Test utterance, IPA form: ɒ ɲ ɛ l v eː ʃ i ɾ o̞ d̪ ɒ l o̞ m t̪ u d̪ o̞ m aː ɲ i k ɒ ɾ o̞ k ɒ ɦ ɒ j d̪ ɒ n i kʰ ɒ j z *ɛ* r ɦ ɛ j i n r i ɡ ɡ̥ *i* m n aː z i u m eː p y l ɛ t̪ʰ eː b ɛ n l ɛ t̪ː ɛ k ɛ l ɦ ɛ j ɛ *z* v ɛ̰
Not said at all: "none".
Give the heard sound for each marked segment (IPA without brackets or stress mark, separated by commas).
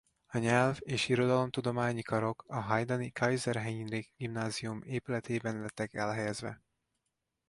ɛ, i, z